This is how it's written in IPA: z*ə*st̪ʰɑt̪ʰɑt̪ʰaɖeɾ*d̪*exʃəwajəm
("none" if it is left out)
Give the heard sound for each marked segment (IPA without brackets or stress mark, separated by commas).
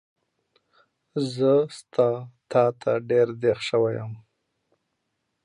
ə, d̪